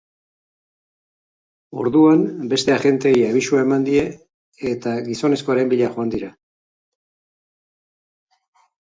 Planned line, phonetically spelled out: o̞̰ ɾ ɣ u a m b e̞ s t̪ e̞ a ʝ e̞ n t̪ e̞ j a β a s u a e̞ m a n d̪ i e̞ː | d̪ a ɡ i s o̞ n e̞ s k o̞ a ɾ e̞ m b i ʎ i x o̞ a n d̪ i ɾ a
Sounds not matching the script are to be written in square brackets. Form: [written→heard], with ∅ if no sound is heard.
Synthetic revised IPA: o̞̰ ɾ [ɣ→ð] u a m b e̞ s t̪ e̞ a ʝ e̞ n t̪ e̞ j a β [a→i] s u a e̞ m a n d̪ i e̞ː | [d̪→t̪] a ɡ i s o̞ n e̞ s k o̞ a ɾ e̞ m b i ʎ [i→a] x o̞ a n d̪ i ɾ a